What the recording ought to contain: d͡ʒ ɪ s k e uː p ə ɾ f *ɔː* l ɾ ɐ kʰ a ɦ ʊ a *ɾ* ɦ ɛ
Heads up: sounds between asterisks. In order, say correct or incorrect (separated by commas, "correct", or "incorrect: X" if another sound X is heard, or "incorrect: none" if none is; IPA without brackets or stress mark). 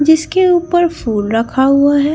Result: incorrect: uː, incorrect: none